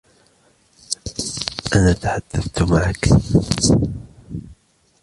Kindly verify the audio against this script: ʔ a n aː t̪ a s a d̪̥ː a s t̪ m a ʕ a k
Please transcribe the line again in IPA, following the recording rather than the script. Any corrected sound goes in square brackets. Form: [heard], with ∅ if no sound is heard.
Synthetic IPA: ʔ a n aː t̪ a [ħ] a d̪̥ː a [θ] t̪ m a ʕ a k